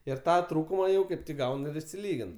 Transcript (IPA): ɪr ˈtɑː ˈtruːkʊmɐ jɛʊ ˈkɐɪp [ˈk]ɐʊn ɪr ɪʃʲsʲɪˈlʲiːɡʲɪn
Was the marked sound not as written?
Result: yes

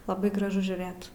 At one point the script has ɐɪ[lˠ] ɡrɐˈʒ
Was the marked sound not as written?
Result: yes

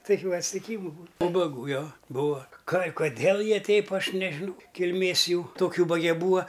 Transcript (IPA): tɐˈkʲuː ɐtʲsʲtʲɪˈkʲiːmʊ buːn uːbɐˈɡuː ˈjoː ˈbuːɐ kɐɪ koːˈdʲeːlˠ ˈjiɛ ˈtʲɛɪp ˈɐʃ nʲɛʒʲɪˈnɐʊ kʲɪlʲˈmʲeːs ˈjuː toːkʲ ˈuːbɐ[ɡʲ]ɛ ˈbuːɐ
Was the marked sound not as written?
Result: no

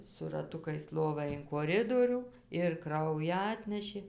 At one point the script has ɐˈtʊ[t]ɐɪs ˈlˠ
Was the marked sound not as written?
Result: yes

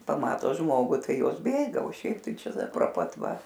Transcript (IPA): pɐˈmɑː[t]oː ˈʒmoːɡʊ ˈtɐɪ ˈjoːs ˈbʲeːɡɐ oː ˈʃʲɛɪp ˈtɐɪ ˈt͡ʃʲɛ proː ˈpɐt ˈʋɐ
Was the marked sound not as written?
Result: no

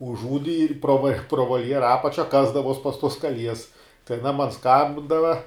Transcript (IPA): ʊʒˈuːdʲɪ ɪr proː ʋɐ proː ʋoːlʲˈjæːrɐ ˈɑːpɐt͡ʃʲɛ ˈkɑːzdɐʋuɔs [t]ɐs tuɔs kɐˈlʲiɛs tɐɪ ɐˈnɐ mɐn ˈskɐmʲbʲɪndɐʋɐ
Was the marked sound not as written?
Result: yes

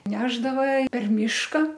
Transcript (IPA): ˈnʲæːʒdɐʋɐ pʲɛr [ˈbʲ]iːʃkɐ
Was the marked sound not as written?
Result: yes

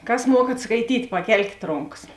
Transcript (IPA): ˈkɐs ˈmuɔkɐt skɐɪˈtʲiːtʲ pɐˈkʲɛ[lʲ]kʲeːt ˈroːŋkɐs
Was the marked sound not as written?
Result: no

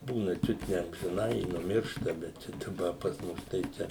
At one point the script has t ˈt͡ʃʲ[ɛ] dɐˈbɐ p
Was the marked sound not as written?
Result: no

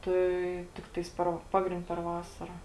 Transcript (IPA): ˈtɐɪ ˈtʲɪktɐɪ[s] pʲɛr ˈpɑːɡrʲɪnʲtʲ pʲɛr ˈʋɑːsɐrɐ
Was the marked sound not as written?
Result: no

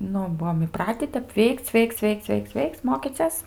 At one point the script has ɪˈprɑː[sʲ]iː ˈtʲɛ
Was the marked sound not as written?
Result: yes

